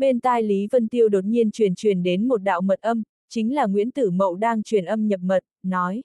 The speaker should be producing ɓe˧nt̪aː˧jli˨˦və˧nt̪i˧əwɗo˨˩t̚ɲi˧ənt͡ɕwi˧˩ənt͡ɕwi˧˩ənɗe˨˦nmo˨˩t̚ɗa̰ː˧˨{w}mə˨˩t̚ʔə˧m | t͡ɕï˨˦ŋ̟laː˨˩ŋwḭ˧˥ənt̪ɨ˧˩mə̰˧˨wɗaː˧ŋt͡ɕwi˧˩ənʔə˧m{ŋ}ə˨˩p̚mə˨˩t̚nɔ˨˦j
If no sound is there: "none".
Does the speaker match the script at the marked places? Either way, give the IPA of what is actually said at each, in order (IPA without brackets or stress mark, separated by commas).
w, ɲ